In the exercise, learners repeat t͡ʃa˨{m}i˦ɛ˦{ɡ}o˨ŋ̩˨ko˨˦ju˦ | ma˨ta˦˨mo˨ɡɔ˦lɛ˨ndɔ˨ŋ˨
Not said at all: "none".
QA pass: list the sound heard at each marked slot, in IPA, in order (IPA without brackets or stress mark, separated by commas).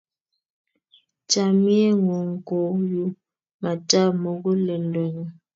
m, ŋ